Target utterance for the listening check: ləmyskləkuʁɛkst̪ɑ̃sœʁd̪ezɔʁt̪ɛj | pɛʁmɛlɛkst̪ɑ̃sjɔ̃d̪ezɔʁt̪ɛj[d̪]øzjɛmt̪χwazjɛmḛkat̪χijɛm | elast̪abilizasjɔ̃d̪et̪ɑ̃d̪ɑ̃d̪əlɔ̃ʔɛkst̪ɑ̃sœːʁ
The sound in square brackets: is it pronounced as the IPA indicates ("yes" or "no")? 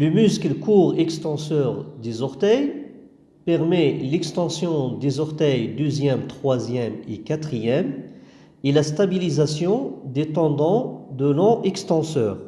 yes